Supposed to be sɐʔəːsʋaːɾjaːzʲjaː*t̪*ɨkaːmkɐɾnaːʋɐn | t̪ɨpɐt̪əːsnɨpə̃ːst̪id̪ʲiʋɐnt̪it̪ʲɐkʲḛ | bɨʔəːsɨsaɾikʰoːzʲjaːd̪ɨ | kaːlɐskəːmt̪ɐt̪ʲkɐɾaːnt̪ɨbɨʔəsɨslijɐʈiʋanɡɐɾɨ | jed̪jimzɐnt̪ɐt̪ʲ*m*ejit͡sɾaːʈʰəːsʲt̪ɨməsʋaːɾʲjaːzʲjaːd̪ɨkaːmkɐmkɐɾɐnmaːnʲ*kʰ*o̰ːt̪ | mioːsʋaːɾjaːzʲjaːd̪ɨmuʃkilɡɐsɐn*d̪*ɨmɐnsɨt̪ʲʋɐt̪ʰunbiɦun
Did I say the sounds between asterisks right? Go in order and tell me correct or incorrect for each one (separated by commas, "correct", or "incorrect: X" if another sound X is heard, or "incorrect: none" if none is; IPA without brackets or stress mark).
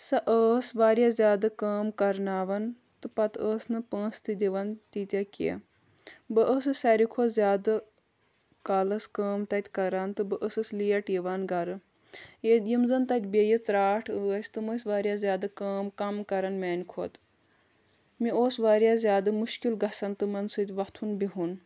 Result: incorrect: d̪, incorrect: b, correct, incorrect: t̪